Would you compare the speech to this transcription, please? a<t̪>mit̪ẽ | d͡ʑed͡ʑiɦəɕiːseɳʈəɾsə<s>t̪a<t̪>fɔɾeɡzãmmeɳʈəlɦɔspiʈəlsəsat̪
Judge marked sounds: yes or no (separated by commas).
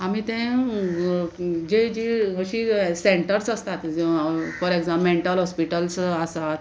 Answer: no, yes, yes